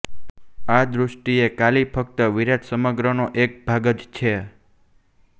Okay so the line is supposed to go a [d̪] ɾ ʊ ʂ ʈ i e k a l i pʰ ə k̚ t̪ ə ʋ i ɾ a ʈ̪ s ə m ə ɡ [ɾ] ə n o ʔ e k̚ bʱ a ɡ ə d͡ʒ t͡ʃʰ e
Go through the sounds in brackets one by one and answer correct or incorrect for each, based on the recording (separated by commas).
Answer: correct, correct